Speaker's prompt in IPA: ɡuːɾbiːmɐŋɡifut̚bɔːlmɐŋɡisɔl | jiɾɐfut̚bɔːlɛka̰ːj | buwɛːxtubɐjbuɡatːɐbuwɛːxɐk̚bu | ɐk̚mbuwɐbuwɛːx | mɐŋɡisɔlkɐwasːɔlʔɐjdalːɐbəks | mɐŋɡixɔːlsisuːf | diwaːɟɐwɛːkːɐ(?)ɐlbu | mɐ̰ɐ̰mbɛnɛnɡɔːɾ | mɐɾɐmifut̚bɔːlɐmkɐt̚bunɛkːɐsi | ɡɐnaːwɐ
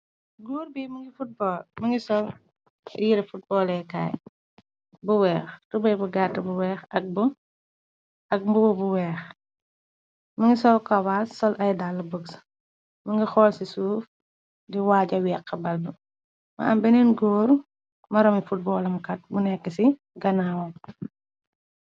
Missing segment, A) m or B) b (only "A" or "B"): B